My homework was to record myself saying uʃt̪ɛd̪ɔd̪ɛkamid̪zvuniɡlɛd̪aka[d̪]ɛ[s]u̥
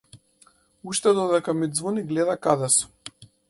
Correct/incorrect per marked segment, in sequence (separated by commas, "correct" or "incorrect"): correct, correct